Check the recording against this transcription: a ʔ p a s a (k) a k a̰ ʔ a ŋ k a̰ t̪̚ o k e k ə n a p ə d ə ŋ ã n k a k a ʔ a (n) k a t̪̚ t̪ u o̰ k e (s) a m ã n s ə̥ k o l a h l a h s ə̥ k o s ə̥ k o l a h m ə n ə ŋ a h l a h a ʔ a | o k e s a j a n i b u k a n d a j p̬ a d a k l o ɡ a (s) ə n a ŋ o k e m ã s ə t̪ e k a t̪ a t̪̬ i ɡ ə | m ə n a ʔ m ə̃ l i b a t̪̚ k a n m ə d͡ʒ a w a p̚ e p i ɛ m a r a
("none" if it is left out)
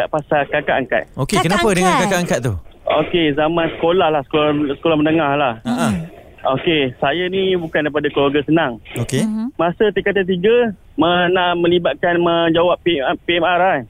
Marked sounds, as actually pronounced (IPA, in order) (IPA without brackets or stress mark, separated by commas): k, ŋ, z, s